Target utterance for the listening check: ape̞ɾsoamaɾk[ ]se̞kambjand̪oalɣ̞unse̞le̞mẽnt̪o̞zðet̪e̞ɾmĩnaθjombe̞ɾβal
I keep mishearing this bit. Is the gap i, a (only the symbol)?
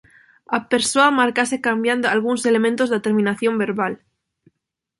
a